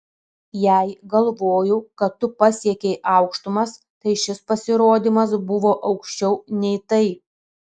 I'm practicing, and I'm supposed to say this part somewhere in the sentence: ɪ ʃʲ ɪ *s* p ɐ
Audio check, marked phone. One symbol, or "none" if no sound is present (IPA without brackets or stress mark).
s